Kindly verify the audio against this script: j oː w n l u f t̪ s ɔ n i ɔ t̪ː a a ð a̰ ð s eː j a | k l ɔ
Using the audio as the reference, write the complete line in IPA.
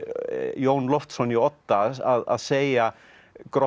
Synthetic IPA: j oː w n l ɔ f t̪ s ɔ n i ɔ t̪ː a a ð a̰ ð s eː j a | k ɾ ɔ